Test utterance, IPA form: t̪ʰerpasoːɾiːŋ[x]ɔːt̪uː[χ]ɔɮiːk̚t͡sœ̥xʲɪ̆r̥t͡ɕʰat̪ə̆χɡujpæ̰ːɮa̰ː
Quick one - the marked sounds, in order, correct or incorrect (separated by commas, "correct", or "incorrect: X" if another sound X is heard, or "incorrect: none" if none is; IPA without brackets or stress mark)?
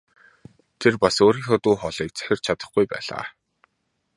correct, correct